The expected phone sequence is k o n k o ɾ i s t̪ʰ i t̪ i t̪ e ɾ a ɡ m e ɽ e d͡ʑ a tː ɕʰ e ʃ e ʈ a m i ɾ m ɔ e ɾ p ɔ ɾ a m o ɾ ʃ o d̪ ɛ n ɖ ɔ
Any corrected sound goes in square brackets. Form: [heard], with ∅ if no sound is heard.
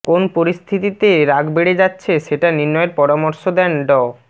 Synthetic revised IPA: k o n [p] o ɾ i s t̪ʰ i t̪ i t̪ e ɾ a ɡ [b] e ɽ e d͡ʑ a tː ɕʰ e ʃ e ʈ a [n] i ɾ [n] ɔ e ɾ p ɔ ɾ a m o ɾ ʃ o d̪ ɛ n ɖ ɔ